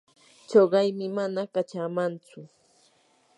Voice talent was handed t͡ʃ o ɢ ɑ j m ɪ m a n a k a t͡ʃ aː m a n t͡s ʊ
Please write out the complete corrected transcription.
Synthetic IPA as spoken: t͡ʃ o ɢ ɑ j m ɪ m a n a k a t͡ʃ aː m a n t͡s ʊ